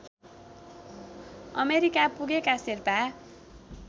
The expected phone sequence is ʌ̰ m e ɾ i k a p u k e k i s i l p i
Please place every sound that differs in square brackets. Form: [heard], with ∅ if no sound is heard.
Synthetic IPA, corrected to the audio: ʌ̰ m e ɾ i k a p u [ɡ] e k [a] s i [r] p [a]